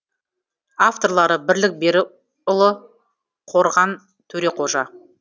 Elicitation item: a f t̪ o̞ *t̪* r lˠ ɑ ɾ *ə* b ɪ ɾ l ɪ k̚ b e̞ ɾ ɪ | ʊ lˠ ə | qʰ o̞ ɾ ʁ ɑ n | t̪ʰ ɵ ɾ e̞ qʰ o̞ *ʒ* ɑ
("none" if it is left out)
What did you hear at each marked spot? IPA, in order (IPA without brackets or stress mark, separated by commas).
none, ə, ʒ